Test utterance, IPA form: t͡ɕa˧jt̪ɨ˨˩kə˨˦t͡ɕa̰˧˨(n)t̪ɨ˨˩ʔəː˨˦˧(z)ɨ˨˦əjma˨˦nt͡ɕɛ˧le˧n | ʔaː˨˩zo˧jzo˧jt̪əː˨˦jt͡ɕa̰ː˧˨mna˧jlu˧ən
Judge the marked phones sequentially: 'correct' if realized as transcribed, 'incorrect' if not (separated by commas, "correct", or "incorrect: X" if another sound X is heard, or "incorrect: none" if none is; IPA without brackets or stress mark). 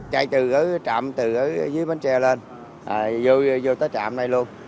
incorrect: m, correct